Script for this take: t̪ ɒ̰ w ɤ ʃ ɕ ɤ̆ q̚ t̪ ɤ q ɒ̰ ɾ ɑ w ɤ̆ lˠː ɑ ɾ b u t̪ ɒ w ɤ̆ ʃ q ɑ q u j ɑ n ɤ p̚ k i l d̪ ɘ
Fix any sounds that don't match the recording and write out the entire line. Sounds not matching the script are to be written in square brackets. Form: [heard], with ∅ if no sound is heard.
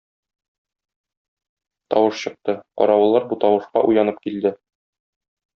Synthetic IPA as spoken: t̪ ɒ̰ w ɤ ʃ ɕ ɤ̆ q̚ t̪ ɤ q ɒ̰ ɾ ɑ w ɤ̆ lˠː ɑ ɾ b u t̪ ɒ w ɤ̆ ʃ q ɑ [ʔ] u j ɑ n ɤ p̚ k i l d̪ ɘ